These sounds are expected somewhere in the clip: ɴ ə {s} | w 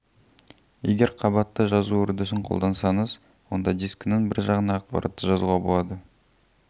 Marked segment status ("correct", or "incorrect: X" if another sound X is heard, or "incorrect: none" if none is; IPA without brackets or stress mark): incorrect: z